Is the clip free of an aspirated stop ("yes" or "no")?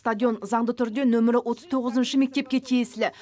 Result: no